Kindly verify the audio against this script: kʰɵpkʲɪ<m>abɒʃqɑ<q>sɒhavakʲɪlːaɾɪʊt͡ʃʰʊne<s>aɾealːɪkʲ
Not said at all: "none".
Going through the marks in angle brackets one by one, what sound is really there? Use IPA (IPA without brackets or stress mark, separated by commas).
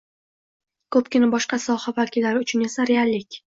n, none, s